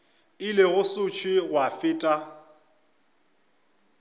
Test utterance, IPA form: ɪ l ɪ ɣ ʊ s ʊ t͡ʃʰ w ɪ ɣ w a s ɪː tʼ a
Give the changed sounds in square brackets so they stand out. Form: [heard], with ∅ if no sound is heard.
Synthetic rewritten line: ɪ l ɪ ɣ ʊ s ʊ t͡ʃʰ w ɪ ɣ w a [f] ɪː tʼ a